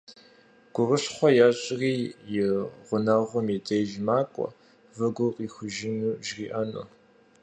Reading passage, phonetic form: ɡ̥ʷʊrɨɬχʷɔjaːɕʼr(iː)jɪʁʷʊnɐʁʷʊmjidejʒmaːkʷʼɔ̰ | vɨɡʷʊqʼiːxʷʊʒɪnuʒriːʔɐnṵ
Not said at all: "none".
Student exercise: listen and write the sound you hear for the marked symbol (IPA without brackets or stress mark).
iː